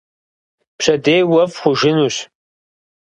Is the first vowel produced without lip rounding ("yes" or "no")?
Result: yes